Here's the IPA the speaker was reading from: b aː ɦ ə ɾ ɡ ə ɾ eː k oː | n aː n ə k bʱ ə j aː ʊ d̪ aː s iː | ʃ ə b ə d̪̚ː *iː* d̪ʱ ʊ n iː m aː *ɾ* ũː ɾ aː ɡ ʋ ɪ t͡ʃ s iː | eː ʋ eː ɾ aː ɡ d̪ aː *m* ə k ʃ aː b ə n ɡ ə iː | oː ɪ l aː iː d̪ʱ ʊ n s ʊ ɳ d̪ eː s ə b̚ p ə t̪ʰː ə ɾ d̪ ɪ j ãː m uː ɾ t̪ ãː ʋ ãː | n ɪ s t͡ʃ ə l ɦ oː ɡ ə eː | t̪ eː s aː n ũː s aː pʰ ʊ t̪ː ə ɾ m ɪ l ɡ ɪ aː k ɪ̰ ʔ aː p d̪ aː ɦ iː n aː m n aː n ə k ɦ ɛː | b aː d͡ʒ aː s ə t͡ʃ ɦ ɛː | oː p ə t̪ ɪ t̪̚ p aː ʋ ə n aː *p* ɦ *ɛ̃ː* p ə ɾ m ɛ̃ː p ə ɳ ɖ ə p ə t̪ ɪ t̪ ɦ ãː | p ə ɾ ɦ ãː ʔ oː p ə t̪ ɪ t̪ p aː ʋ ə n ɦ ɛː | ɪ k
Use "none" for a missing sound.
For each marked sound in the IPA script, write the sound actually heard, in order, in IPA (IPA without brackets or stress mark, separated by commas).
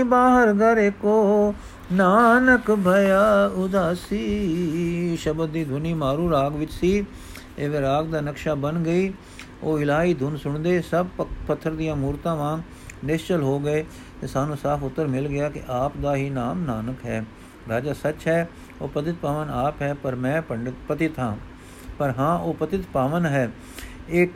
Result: iː, ɾ, n, p, ɛː